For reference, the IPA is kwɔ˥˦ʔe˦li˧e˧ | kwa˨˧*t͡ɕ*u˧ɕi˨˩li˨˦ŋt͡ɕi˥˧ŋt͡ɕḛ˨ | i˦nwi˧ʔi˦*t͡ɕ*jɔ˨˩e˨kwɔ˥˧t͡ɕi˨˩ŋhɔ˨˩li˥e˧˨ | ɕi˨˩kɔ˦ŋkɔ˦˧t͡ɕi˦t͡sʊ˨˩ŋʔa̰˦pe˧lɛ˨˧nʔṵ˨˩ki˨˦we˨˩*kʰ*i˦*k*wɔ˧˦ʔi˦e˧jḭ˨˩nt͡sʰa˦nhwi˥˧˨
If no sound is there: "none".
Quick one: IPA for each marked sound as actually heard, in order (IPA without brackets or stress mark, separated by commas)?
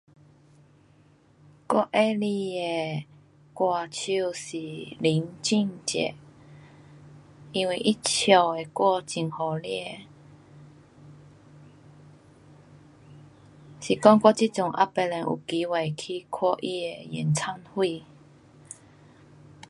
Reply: t͡ɕʰ, t͡ɕʰ, kʰ, kʰ